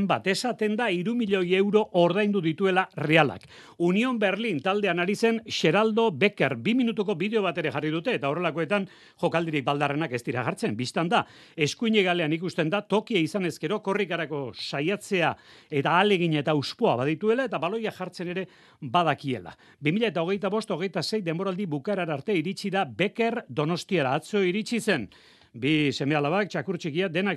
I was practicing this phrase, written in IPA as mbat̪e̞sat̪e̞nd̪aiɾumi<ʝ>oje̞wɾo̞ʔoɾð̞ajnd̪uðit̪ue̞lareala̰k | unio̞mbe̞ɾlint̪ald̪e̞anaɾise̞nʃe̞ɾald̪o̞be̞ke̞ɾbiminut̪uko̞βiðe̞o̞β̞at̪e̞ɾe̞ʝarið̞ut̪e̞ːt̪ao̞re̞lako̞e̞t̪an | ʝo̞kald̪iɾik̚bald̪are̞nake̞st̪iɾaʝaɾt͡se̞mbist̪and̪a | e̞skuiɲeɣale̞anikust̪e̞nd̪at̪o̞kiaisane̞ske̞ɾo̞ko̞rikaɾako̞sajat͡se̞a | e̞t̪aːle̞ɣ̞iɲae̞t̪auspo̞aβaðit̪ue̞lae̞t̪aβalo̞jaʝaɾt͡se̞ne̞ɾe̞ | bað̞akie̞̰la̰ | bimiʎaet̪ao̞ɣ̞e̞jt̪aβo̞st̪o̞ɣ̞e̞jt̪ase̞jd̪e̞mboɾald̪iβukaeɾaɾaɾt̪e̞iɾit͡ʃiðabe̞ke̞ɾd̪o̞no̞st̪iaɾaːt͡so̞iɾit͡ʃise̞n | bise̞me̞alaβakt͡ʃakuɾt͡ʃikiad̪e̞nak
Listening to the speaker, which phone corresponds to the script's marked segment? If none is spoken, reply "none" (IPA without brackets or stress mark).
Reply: ʎ